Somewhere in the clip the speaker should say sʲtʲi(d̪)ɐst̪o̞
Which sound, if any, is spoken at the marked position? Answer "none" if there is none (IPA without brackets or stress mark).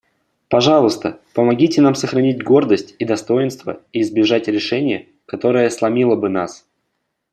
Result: d̪